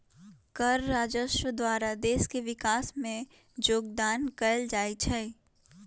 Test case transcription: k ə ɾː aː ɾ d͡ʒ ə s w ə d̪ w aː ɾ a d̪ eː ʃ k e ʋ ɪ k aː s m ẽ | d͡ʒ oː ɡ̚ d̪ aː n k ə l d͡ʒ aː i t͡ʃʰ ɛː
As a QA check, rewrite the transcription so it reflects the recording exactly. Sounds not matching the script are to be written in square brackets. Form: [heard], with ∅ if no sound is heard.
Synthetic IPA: k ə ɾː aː [∅] d͡ʒ ə [ʃ] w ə d̪ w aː ɾ a d̪ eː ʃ k e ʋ ɪ k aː s m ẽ | d͡ʒ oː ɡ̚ d̪ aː n k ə l d͡ʒ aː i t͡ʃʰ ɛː